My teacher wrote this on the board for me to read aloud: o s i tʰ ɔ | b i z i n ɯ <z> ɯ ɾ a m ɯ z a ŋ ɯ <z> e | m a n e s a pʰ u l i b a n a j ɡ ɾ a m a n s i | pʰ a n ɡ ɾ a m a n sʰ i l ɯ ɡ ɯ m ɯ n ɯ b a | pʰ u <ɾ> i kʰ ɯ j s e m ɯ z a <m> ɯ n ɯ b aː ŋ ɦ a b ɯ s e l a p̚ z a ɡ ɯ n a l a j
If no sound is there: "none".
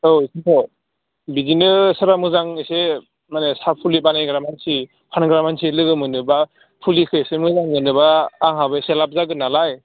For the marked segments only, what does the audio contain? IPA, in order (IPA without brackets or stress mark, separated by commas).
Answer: s, s, l, ŋ